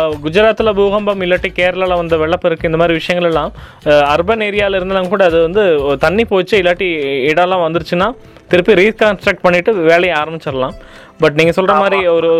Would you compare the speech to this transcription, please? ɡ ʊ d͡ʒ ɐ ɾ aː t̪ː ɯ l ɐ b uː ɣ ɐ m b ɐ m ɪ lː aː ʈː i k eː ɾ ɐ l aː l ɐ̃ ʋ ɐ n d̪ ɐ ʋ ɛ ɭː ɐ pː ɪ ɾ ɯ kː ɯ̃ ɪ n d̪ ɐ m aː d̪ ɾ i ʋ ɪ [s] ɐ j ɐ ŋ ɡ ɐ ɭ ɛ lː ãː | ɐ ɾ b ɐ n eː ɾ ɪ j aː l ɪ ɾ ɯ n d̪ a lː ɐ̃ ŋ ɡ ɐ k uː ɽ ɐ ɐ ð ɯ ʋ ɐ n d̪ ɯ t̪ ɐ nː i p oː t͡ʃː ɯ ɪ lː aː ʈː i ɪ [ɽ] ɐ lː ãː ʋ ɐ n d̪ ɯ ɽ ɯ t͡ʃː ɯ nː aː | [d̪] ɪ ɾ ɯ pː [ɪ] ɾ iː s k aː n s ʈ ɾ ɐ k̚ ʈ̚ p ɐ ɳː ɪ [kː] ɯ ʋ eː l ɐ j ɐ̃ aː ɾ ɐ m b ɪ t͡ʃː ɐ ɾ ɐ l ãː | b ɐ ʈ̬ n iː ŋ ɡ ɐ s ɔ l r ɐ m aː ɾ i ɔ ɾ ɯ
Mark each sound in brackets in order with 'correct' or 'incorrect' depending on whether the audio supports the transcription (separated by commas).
incorrect, correct, incorrect, incorrect, incorrect